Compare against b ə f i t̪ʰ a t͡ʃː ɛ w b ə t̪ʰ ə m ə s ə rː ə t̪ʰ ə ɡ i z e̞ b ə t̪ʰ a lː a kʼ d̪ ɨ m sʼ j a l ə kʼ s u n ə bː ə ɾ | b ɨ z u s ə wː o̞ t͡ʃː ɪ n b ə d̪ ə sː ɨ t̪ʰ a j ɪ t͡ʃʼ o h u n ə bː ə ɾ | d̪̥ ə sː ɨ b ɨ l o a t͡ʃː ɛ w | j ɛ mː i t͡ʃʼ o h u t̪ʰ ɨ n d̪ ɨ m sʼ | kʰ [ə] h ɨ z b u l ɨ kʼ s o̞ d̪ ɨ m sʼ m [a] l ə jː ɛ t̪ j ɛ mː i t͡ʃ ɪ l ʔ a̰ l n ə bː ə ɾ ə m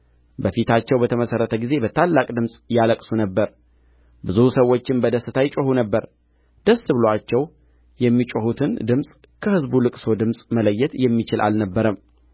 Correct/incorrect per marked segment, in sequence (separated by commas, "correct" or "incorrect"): correct, incorrect